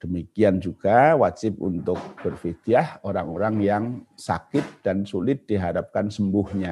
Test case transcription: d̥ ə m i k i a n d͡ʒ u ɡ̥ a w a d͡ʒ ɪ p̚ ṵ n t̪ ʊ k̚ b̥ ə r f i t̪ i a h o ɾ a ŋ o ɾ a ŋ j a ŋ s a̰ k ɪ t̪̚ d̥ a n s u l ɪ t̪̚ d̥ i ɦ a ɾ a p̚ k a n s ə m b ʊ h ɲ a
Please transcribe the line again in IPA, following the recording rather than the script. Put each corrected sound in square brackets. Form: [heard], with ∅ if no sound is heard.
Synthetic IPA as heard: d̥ ə m i k i a n d͡ʒ u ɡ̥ a w a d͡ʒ ɪ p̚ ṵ n t̪ ʊ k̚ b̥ ə r f i t̪ i a h o ɾ a ŋ o ɾ a ŋ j a ŋ s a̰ k ɪ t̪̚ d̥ a n s u l ɪ t̪̚ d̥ i ɦ a ɾ a p̚ k a n s ə m b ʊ h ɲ a